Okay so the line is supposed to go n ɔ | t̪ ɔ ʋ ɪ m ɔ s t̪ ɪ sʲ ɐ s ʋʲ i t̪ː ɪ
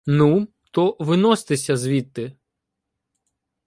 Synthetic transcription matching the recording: n u | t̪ ɔ ʋ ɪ n ɔ s t̪ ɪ sʲ ɐ z ʋʲ i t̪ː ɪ